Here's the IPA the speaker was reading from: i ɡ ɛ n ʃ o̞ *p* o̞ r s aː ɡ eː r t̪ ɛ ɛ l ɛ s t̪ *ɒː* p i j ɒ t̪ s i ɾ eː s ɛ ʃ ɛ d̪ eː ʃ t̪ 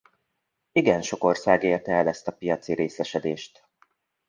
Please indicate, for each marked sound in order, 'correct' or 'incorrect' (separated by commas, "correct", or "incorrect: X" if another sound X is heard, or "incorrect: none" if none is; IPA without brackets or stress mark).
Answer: incorrect: k, incorrect: ɒ